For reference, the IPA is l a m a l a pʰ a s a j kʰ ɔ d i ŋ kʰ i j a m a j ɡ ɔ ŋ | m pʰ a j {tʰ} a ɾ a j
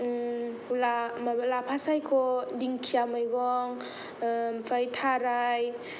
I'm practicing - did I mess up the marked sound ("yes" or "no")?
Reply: no